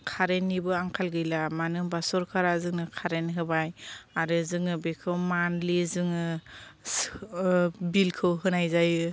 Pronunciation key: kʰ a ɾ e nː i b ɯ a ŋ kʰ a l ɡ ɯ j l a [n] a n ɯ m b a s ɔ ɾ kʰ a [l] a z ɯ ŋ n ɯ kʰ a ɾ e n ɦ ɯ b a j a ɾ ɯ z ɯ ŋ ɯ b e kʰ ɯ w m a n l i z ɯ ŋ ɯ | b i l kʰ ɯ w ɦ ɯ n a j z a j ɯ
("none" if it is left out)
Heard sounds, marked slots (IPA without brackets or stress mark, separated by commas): m, ɾ